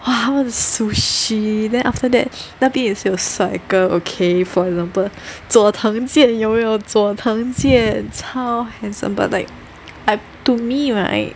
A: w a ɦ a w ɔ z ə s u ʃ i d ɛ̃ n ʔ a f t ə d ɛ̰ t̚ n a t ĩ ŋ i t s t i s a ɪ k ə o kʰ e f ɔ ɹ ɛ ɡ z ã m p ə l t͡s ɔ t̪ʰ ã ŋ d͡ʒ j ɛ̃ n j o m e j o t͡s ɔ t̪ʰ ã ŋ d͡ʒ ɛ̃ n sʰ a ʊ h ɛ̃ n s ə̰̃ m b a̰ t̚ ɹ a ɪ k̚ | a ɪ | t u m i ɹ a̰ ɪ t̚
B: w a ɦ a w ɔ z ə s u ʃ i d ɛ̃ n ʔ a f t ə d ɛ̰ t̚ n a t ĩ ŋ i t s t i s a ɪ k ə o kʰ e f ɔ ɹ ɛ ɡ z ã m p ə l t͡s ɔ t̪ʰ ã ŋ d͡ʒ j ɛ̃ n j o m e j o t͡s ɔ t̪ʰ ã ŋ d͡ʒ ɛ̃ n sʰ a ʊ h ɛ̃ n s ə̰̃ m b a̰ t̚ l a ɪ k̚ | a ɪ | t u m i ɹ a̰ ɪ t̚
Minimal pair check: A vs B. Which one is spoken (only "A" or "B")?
B